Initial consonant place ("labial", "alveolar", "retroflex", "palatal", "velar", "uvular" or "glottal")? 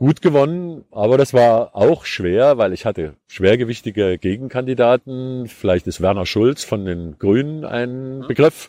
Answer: velar